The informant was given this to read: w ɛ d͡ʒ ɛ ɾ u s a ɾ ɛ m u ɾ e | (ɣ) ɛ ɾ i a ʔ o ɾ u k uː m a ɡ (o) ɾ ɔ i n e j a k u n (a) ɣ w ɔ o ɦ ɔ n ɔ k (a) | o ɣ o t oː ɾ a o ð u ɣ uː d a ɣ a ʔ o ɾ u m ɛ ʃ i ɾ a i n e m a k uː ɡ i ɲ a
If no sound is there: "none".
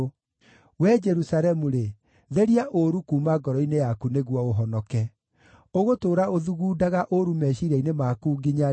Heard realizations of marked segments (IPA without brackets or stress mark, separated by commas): ð, ɔ, e, ɛ